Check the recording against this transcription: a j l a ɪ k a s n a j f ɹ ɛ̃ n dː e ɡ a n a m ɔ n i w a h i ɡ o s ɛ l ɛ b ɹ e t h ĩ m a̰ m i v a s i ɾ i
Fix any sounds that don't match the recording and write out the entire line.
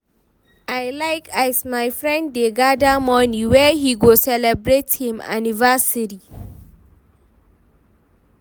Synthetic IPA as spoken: a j l a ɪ k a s m a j f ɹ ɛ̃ n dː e ɡ a d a m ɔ n i w ɛ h i ɡ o s ɛ l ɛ b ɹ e t h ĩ m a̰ n i v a s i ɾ i